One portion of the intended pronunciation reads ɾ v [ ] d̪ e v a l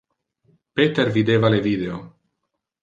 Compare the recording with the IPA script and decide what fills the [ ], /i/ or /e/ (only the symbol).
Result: i